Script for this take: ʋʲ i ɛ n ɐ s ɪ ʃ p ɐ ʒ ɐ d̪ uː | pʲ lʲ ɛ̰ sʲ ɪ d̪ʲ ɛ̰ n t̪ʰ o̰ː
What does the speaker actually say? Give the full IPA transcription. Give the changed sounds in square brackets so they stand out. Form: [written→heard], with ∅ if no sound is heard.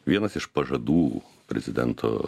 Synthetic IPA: ʋʲ i ɛ n ɐ s ɪ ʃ p ɐ ʒ ɐ d̪ uː | pʲ [lʲ→ɾʲ] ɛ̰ [sʲ→zʲ] ɪ d̪ʲ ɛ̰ n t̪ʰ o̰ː